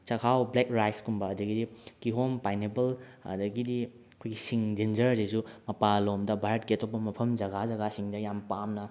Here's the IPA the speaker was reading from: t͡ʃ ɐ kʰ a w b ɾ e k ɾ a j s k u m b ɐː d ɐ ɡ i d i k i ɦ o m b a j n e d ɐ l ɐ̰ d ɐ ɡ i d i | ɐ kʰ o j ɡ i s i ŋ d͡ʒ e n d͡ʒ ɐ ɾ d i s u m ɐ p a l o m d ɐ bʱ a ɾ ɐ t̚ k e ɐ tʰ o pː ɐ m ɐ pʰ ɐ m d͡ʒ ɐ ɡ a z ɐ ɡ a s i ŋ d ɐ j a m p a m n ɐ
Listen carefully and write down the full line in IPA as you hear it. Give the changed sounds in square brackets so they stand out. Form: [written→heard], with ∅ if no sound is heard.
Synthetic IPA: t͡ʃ ɐ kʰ a w b [ɾ→l] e k ɾ a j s k u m b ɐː d ɐ ɡ i d i k i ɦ o m [b→p] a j n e [d→b] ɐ l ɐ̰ d ɐ ɡ i d i | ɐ kʰ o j ɡ i s i ŋ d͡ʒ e n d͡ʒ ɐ ɾ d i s u m ɐ p a l o m d ɐ bʱ a ɾ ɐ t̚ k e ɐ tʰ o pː ɐ m ɐ pʰ ɐ m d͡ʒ ɐ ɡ a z ɐ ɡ a s i ŋ d ɐ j a m p a m n ɐ